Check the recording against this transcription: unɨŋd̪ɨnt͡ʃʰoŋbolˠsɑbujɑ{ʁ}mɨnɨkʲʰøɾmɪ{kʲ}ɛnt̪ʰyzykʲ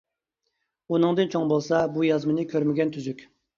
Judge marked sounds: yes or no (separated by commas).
no, no